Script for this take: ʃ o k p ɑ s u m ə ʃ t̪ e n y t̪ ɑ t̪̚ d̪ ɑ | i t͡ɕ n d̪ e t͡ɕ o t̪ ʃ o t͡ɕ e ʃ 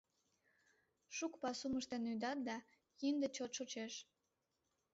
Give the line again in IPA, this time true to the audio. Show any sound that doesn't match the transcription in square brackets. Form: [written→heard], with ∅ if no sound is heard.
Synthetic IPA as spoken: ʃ [o→u] k p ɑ s u m ə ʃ t̪ e n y [t̪→d̪] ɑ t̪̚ d̪ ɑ | i [t͡ɕ→∅] n d̪ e t͡ɕ o t̪ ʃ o t͡ɕ e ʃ